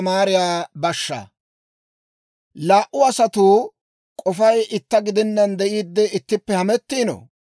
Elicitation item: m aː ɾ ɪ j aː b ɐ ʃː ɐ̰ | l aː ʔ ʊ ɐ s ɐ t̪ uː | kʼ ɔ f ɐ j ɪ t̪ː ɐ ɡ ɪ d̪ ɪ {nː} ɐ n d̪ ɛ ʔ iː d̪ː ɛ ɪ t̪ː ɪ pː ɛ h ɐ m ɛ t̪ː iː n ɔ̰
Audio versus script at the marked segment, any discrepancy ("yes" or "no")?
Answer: no